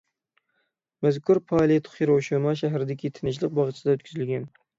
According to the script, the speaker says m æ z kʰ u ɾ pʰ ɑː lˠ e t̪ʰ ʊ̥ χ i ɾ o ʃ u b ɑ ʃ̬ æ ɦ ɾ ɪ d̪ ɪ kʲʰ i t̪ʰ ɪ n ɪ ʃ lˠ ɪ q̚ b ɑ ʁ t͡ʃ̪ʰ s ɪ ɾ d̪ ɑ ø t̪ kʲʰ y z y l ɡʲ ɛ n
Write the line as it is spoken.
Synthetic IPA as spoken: m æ z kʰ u ɾ pʰ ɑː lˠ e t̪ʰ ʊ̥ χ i ɾ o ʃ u m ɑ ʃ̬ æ ɦ ɾ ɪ d̪ ɪ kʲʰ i t̪ʰ ɪ n ɪ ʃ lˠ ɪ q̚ b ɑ ʁ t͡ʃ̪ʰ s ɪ d̪ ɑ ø t̪ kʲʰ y z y l ɡʲ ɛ n